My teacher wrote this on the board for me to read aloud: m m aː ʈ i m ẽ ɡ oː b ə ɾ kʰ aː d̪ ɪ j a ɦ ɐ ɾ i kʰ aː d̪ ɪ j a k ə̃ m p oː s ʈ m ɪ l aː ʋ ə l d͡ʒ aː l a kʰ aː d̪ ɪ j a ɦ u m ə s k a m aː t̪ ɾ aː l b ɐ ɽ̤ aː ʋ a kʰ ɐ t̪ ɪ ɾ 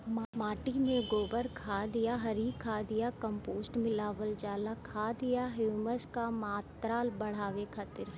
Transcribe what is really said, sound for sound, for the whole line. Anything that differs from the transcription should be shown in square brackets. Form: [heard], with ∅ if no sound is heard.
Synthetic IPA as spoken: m m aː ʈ i m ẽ ɡ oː b ə ɾ kʰ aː d̪ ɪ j a ɦ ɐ ɾ i kʰ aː d̪ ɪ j a k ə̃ m p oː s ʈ m ɪ l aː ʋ ə l d͡ʒ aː l a kʰ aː d̪ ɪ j a ɦ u m ə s k a m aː t̪ ɾ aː l b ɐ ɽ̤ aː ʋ [e] kʰ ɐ t̪ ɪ ɾ

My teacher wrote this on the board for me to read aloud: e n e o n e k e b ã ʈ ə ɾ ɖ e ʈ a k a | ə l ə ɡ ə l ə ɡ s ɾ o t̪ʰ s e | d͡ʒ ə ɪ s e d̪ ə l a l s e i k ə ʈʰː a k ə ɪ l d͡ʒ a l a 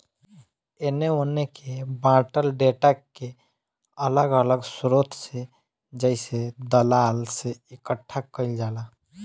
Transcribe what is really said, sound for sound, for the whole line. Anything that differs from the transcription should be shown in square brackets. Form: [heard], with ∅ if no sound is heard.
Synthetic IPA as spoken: e n e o n e k e b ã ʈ ə [l] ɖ e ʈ a k [e] | ə l ə ɡ ə l ə ɡ s ɾ o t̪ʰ s e | d͡ʒ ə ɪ s e d̪ ə l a l s e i k ə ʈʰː a k ə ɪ l d͡ʒ a l a

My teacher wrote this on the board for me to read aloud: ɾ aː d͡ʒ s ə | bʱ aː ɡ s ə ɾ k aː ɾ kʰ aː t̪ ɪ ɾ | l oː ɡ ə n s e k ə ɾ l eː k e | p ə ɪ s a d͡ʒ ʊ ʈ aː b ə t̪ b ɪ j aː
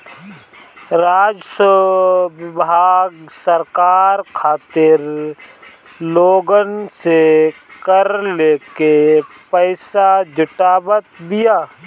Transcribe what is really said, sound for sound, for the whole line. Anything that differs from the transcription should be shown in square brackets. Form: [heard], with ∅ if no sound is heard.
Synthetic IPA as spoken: ɾ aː d͡ʒ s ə | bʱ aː ɡ s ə ɾ k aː ɾ kʰ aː t̪ ɪ ɾ | l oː ɡ ə n s e k ə ɾ l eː k e | p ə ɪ s a d͡ʒ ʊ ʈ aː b ə t̪ b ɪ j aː

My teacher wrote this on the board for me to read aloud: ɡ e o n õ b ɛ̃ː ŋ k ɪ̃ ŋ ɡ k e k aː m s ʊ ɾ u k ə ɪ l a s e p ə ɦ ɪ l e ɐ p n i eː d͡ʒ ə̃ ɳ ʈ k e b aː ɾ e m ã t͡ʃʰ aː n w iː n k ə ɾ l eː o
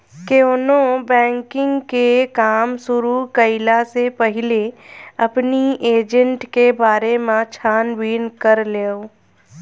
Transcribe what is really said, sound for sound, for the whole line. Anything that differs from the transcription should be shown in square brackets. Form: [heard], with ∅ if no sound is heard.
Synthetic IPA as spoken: [k] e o n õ b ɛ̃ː ŋ k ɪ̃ ŋ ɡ k e k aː m s ʊ ɾ u k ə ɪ l a s e p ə ɦ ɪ l e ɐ p n i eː d͡ʒ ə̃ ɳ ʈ k e b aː ɾ e m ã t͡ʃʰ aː n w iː n k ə ɾ l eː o

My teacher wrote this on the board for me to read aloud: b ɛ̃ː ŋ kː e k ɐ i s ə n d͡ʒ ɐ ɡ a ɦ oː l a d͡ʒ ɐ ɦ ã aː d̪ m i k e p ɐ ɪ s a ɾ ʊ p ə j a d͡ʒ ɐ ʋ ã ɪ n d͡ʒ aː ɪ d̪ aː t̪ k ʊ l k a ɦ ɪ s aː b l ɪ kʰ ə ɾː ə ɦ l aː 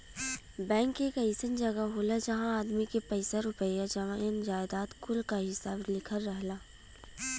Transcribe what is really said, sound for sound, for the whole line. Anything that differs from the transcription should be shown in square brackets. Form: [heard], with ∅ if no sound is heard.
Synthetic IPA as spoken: b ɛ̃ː ŋ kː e k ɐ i s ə n d͡ʒ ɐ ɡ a ɦ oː l a d͡ʒ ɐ ɦ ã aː d̪ m i k e p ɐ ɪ s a ɾ ʊ p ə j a d͡ʒ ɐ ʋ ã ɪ n d͡ʒ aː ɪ d̪ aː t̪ k ʊ l k a ɦ ɪ s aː b l ɪ kʰ ə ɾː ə ɦ l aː

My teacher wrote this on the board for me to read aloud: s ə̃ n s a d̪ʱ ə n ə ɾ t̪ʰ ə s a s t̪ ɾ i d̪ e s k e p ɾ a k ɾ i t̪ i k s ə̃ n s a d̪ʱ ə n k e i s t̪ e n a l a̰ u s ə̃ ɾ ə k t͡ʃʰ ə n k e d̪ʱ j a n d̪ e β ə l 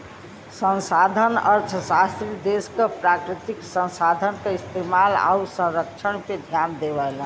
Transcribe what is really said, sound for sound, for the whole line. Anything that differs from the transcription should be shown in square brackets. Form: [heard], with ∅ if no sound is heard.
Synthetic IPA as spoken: s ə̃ n s a d̪ʱ ə n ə ɾ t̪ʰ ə s a s t̪ ɾ i d̪ e s k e p ɾ a k ɾ i t̪ i k s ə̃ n s a d̪ʱ ə n k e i s t̪ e [m] a l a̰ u s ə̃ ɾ ə k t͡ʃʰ ə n k e d̪ʱ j a n d̪ e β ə l

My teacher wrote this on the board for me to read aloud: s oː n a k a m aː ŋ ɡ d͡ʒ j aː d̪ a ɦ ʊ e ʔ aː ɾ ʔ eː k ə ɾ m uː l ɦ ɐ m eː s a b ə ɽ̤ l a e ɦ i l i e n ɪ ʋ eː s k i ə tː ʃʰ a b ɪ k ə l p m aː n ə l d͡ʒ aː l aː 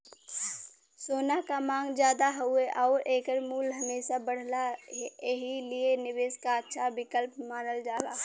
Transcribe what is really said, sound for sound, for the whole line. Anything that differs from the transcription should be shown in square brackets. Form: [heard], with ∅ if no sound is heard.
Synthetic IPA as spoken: s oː n a k a m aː ŋ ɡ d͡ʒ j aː d̪ a ɦ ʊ e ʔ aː ɾ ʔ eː k ə ɾ m uː l ɦ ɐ m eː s a b ə ɽ̤ l a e ɦ i l i e n ɪ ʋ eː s k [a] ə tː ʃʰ a b ɪ k ə l p m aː n ə l d͡ʒ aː l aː

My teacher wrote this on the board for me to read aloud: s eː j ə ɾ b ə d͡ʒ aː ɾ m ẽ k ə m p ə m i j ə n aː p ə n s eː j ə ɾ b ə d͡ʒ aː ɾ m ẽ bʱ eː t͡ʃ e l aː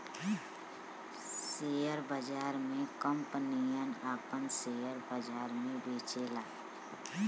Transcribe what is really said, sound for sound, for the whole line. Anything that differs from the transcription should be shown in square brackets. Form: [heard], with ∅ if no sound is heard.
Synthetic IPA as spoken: s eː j ə ɾ b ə d͡ʒ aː ɾ m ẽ k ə m p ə [n] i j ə n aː p ə n s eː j ə ɾ b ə d͡ʒ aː ɾ m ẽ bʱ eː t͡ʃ e l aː

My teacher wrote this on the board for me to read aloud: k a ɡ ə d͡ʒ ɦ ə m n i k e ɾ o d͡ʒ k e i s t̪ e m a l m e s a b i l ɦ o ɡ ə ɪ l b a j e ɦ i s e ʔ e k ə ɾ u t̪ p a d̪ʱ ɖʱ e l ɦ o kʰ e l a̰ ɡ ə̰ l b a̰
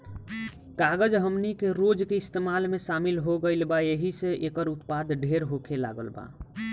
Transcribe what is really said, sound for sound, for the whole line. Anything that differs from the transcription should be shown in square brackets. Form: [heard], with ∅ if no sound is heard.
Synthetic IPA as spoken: k a ɡ ə d͡ʒ ɦ ə m n i k e ɾ o d͡ʒ k e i s t̪ e m a l m e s a [m] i l ɦ o ɡ ə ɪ l b a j e ɦ i s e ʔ e k ə ɾ u t̪ p a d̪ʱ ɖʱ e [ɾ] ɦ o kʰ e l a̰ ɡ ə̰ l b a̰

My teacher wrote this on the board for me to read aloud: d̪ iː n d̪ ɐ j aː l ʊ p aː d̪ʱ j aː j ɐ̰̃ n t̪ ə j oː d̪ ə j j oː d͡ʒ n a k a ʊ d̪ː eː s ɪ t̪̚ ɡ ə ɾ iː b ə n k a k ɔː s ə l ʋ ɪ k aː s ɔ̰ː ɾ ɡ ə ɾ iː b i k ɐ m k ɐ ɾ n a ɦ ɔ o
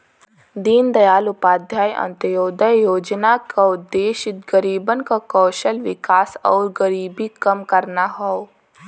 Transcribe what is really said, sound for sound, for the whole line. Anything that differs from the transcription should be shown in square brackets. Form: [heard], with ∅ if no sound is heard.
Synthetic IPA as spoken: d̪ iː n d̪ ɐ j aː l ʊ p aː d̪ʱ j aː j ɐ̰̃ n t̪ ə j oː d̪ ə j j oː d͡ʒ n a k a ʊ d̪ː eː [ʃ] ɪ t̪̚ ɡ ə ɾ iː b ə n k a k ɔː [ʃ] ə l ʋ ɪ k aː s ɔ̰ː ɾ ɡ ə ɾ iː b i k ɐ m k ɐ ɾ n a ɦ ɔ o

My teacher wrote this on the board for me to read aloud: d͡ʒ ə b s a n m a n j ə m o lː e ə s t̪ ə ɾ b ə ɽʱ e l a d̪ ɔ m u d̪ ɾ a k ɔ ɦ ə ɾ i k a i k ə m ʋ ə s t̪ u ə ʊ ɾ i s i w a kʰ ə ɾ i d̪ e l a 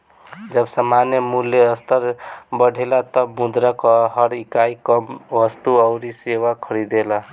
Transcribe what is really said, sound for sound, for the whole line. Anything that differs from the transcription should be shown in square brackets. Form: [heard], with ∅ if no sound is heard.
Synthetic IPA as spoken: d͡ʒ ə b s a [∅] m a n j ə m [u] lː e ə s t̪ ə ɾ b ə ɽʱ e l a [t̪] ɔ m u d̪ ɾ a k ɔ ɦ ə ɾ i k a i k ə m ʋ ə s t̪ u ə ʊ ɾ i s [e] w a kʰ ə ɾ i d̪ e l a

